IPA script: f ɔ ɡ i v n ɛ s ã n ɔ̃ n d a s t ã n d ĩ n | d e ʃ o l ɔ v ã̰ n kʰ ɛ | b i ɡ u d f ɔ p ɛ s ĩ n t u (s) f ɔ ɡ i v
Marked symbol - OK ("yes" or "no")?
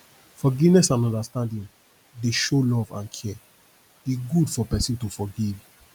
no